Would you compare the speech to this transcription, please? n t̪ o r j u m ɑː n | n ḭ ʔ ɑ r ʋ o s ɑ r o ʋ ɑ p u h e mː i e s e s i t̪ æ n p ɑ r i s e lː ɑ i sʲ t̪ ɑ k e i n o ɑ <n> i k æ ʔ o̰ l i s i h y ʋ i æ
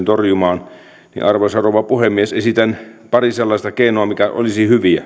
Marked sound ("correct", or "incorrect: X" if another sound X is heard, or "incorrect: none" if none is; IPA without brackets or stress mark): incorrect: m